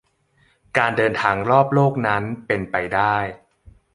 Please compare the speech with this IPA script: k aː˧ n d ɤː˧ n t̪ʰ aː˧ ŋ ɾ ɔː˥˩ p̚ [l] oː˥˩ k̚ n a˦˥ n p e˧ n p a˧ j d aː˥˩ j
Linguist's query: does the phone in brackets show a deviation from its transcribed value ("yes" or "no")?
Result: no